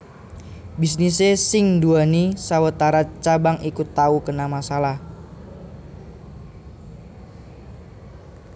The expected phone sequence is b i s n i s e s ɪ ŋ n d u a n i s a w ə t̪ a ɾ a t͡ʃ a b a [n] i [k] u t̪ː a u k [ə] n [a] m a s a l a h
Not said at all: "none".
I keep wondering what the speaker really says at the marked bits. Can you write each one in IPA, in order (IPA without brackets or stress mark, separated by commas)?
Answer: ŋ, k, ə, a